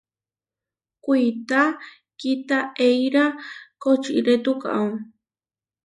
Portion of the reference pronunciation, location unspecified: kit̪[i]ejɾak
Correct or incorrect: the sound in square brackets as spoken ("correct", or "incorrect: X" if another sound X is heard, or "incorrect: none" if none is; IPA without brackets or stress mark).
incorrect: a